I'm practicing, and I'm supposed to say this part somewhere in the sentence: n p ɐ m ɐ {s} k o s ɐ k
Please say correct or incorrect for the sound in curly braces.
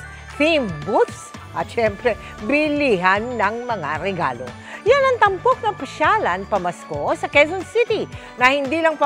correct